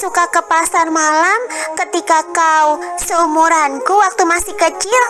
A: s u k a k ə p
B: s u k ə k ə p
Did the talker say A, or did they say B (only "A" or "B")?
A